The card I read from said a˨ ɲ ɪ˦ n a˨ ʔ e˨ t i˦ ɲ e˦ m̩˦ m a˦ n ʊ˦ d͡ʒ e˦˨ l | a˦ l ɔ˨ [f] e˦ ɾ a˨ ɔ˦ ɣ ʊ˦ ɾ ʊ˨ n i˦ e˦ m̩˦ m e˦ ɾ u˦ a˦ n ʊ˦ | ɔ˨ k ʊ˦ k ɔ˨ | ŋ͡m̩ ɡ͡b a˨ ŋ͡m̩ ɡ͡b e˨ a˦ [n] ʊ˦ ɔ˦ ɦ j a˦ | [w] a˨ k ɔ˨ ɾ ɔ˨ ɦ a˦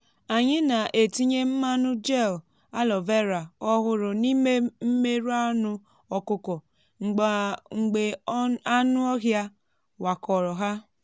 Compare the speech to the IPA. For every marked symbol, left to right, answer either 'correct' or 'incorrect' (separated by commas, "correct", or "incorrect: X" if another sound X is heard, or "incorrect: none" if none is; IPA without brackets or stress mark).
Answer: incorrect: v, correct, correct